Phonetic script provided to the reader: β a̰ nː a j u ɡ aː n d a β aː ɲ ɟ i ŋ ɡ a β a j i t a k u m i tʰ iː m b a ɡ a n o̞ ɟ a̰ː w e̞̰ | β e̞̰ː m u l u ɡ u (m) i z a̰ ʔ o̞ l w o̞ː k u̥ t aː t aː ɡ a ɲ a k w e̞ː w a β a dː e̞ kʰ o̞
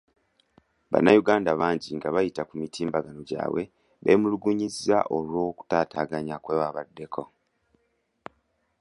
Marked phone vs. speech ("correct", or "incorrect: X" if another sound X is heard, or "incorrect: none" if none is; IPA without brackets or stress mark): incorrect: ɲ